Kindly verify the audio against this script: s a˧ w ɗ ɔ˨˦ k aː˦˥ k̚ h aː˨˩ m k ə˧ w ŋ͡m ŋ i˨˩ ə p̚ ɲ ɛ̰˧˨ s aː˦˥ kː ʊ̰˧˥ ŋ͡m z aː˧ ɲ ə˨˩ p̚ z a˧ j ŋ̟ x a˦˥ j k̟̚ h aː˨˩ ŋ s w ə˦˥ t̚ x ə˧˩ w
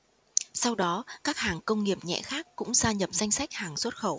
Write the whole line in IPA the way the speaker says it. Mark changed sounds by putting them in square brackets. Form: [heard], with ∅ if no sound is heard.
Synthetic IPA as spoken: s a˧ w ɗ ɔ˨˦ k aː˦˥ k̚ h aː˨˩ [ŋ] k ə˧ w ŋ͡m ŋ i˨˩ ə p̚ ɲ ɛ̰˧˨ [x] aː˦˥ kː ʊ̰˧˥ ŋ͡m z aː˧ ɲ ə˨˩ p̚ z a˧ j ŋ̟ [s] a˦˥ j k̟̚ h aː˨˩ ŋ s w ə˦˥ t̚ x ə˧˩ w